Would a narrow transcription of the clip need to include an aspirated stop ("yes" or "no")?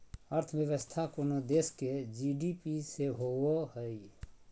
yes